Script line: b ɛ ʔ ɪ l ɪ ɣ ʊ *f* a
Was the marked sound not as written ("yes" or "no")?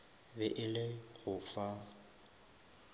no